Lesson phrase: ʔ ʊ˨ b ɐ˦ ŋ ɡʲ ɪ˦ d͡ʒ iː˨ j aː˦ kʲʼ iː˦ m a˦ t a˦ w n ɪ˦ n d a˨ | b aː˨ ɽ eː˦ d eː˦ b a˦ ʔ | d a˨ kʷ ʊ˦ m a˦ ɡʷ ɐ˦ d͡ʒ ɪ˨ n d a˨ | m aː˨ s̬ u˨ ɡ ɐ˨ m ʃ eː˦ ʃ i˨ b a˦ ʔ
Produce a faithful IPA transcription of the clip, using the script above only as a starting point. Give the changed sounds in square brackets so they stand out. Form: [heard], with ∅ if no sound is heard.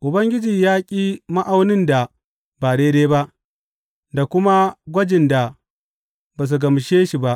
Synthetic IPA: ʔ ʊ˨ b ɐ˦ ŋ ɡʲ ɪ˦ d͡ʒ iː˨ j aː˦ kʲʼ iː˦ m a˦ [ʔ] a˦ w n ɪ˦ n d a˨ | b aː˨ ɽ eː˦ d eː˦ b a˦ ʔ | d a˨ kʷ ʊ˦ m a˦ ɡʷ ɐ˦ d͡ʒ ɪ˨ n d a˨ | [b] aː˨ s̬ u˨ ɡ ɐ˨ m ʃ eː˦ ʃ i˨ b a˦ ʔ